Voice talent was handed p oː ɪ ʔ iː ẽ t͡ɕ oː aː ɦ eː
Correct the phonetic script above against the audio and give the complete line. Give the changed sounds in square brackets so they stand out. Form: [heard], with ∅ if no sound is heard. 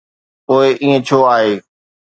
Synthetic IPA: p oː ɪ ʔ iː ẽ [t͡ɕʰ] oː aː ɦ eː